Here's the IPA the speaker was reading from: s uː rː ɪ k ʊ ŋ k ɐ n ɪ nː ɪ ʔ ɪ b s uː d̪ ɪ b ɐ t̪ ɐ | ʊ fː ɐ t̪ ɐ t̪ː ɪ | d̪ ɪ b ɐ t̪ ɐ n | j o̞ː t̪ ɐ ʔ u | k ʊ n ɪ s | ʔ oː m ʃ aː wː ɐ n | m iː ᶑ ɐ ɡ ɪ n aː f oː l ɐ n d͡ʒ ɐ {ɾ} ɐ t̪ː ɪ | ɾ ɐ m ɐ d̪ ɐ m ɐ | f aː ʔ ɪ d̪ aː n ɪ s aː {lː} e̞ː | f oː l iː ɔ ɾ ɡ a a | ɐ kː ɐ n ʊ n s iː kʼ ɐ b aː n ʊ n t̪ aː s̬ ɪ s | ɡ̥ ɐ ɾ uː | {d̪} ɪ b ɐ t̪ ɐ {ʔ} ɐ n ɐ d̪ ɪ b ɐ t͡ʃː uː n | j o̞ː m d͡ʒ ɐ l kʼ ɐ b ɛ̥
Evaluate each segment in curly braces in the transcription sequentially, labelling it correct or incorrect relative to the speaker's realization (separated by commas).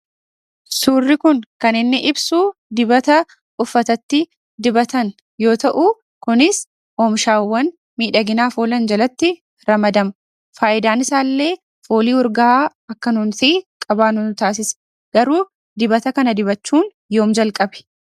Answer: incorrect, correct, correct, incorrect